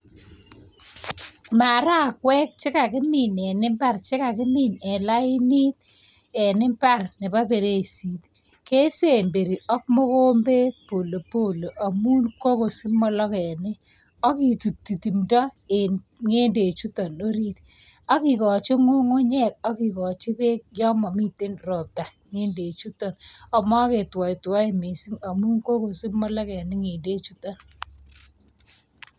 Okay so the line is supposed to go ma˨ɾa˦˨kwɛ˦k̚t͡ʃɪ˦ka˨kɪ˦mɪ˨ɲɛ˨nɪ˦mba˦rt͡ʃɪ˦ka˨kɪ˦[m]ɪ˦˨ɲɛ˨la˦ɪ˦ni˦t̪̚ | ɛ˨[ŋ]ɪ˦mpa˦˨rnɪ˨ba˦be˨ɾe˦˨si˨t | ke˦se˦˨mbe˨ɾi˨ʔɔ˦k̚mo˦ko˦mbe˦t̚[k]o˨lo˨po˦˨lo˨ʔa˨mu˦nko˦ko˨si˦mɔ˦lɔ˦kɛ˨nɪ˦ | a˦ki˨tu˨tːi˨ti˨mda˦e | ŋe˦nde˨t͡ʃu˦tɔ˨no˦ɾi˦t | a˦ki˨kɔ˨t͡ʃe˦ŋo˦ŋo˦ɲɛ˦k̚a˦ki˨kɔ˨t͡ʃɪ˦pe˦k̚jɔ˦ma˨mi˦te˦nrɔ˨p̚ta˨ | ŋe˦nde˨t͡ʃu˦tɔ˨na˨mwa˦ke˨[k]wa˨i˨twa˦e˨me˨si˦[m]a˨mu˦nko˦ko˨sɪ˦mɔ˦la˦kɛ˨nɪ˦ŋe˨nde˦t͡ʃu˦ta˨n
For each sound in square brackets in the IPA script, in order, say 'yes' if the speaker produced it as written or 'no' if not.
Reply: yes, no, no, no, no

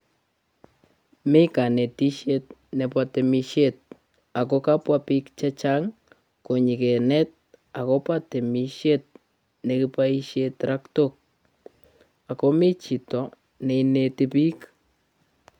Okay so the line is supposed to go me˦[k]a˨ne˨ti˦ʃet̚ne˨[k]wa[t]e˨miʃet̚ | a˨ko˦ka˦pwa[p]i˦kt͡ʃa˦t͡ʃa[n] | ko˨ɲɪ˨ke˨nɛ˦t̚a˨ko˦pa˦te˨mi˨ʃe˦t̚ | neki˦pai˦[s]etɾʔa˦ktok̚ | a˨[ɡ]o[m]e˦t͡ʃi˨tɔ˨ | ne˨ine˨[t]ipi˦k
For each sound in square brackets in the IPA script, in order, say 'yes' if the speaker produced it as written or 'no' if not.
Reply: yes, no, yes, yes, no, no, no, yes, yes

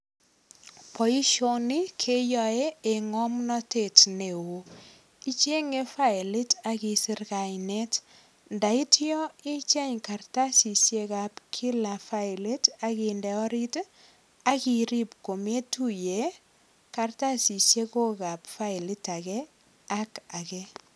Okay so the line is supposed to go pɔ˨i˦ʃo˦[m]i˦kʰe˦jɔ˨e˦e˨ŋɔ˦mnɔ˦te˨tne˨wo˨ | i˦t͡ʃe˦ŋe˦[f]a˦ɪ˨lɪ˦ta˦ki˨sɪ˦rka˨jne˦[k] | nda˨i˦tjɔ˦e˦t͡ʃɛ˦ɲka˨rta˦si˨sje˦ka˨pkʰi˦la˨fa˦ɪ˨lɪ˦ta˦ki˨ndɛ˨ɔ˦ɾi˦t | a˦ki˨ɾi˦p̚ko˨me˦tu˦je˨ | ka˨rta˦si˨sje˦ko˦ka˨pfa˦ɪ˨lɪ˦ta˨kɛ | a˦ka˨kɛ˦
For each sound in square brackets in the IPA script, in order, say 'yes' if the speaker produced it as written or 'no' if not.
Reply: no, yes, no

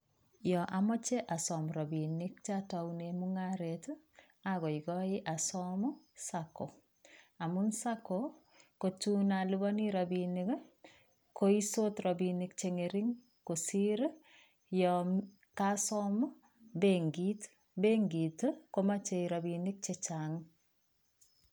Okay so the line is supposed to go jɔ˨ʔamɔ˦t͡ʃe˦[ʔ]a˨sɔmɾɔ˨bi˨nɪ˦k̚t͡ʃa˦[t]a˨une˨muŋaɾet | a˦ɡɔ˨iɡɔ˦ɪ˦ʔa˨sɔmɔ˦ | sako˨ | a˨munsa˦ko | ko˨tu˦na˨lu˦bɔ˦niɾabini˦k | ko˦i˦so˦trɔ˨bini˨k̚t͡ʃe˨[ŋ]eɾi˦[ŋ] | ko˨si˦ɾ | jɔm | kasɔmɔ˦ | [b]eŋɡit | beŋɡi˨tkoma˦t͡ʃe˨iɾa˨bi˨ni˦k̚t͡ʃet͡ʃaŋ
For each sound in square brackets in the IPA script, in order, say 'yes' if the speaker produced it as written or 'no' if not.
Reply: yes, yes, yes, yes, yes

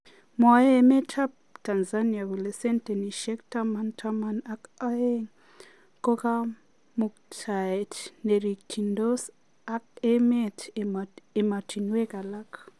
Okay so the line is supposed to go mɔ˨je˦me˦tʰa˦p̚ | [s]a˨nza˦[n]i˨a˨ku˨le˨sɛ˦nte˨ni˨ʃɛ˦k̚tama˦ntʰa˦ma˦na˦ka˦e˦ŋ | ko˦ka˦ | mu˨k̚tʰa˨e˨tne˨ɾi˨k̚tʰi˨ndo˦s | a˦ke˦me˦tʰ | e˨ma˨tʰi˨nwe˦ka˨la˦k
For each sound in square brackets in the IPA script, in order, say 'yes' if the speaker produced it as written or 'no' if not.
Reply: no, yes

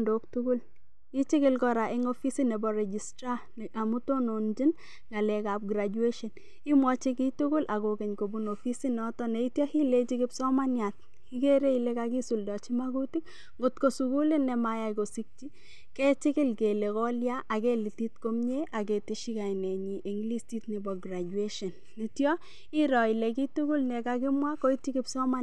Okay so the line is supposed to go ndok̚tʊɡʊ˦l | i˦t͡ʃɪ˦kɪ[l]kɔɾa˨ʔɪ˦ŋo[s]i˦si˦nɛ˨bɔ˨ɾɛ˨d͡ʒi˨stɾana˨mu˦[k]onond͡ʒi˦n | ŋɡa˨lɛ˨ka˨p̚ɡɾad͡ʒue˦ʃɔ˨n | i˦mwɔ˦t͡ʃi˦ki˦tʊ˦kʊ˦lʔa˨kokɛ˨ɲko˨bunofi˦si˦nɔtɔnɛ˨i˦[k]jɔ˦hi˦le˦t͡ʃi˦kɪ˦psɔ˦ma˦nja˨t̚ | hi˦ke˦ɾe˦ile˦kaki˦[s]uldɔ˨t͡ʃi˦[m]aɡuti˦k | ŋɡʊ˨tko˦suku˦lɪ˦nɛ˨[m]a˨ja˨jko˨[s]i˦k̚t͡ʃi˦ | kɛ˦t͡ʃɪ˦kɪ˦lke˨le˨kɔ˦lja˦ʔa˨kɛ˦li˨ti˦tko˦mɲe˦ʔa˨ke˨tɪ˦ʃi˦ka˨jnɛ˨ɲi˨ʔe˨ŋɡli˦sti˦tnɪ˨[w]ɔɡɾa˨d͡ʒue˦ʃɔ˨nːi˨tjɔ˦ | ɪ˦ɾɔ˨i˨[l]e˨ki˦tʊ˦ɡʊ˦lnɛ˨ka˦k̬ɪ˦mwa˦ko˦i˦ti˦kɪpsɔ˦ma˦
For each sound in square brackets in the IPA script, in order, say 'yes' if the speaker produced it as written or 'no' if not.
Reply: yes, no, no, no, yes, yes, yes, yes, no, yes

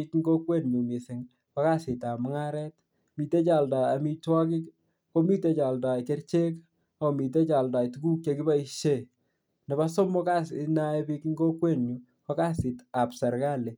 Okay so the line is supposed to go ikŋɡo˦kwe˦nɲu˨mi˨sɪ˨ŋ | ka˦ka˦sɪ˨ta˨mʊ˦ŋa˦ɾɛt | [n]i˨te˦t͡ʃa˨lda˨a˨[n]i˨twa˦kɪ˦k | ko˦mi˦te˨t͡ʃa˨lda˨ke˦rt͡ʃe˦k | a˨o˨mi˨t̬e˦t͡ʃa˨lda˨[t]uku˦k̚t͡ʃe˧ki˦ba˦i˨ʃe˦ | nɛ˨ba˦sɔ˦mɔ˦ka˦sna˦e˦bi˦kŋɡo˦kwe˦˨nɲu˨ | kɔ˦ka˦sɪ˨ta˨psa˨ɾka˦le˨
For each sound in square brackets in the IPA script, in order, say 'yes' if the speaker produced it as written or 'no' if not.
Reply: no, no, yes

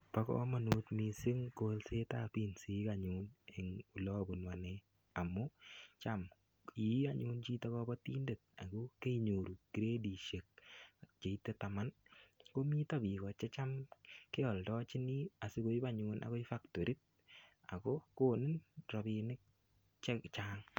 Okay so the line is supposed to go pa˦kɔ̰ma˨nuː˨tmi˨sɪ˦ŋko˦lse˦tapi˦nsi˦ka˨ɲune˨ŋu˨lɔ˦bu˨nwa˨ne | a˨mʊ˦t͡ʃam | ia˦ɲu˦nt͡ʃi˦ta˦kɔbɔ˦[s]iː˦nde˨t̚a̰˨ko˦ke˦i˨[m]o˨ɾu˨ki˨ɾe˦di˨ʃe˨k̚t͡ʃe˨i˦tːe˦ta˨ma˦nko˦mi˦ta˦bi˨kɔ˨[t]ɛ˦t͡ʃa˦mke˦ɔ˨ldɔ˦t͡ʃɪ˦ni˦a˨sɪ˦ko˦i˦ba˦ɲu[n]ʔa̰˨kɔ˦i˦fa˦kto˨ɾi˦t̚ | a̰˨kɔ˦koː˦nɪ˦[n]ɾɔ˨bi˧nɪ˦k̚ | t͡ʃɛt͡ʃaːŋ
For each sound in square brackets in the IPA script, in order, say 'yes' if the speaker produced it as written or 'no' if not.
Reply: no, no, no, yes, yes

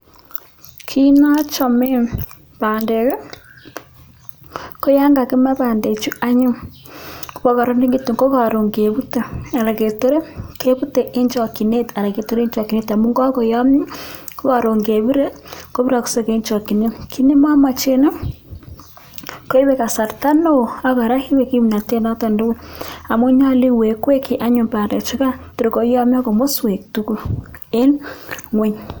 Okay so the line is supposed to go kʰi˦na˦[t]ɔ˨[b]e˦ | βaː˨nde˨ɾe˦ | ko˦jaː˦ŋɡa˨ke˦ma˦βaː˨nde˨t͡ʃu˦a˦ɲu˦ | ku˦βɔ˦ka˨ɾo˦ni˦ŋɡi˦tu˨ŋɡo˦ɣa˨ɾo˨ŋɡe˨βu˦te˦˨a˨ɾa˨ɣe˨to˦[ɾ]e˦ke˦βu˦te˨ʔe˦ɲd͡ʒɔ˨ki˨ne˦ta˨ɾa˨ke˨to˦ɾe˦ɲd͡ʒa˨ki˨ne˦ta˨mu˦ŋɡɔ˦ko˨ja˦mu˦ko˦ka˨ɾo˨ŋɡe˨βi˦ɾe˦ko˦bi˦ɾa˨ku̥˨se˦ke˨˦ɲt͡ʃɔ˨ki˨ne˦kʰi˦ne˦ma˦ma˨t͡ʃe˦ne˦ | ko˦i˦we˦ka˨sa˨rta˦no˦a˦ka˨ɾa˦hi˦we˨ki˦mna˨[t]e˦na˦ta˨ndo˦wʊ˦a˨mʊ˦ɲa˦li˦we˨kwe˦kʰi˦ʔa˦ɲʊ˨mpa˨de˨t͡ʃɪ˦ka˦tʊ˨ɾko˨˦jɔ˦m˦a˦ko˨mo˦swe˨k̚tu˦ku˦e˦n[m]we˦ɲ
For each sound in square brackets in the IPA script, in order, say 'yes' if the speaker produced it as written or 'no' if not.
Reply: no, no, yes, yes, no

